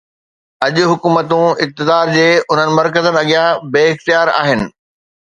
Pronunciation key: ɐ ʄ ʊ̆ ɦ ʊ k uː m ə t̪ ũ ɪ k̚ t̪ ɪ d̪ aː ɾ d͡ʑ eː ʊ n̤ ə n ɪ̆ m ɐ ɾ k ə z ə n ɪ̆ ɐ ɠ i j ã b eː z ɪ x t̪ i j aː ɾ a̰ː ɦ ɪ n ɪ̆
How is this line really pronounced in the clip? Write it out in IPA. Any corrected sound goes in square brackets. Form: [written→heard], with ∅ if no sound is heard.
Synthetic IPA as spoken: ɐ ʄ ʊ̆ ɦ ʊ k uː m ə t̪ ũ ɪ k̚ t̪ ɪ d̪ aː ɾ d͡ʑ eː ʊ n̤ ə n ɪ̆ m ɐ ɾ k ə z ə n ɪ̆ ɐ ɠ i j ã b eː [z→∅] ɪ x t̪ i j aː ɾ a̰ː ɦ ɪ n ɪ̆